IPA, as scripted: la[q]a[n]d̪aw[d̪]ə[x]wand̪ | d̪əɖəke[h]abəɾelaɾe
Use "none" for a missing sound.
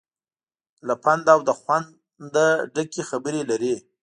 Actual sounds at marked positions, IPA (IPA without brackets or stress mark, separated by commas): p, n, d̪, x, x